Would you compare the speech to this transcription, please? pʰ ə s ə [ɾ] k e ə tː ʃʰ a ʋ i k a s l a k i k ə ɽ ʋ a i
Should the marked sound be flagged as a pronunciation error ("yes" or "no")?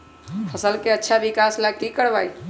yes